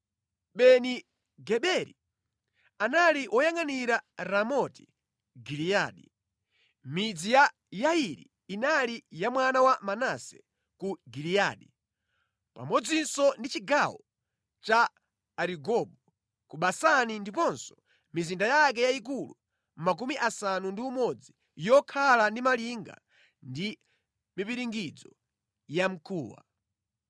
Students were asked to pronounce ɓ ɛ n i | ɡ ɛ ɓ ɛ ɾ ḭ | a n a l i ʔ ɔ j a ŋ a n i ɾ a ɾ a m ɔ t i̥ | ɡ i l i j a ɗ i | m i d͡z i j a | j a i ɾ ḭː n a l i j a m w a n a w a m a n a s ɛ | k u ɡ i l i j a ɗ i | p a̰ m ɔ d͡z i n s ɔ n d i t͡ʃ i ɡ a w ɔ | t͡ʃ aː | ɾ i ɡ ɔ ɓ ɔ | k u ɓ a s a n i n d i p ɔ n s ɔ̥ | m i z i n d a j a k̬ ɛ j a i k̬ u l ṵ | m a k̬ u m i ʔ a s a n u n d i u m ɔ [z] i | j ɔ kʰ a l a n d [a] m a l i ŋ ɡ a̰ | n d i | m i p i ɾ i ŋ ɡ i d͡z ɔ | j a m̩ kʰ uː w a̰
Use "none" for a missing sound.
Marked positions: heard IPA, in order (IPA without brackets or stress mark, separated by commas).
d͡z, i